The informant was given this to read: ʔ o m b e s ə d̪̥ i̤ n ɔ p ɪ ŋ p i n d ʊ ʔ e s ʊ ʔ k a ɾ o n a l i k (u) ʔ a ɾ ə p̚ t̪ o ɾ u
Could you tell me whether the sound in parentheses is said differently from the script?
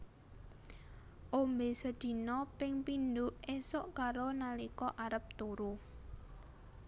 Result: yes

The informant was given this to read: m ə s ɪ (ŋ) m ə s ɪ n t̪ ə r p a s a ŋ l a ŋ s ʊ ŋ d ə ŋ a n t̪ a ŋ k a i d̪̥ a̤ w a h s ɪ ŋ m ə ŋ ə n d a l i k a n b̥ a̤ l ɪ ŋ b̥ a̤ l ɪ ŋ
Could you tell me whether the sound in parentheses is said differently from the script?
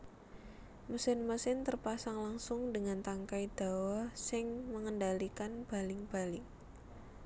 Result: yes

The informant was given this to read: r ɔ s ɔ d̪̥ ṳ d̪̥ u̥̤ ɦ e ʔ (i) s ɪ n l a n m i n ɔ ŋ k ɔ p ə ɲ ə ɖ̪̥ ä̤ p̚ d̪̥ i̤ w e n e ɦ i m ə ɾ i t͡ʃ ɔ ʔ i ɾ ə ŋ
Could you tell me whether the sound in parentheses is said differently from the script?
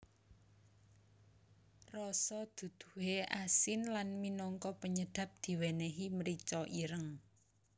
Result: yes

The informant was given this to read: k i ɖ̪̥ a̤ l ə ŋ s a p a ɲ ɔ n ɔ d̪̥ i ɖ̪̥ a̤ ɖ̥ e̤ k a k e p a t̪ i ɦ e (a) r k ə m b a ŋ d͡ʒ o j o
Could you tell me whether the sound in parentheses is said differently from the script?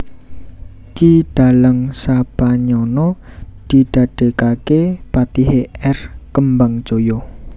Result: yes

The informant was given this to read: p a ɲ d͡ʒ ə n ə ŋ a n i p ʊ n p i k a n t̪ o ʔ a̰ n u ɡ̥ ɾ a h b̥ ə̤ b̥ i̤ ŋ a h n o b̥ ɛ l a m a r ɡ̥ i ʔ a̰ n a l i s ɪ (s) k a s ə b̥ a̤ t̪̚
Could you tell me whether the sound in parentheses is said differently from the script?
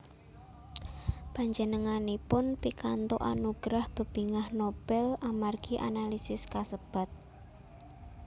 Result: no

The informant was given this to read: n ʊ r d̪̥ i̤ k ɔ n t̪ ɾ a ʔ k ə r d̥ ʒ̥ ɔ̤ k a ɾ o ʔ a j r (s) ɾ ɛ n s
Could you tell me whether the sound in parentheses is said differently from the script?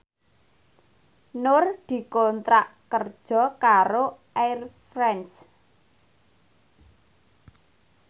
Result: yes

